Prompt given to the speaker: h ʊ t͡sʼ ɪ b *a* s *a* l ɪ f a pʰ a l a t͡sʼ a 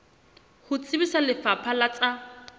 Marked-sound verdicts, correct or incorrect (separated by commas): incorrect, correct